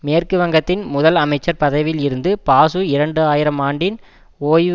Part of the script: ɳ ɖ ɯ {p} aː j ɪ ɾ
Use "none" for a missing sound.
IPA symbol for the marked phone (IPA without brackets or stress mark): none